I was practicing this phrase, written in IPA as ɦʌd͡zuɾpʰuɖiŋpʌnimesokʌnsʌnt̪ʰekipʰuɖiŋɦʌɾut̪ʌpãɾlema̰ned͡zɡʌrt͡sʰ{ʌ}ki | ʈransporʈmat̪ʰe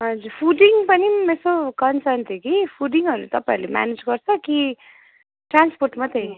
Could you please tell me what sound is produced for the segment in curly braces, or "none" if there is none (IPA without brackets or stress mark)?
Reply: ʌ